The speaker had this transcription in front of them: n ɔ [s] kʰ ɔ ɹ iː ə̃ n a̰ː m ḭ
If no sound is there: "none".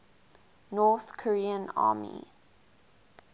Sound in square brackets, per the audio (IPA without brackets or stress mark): θ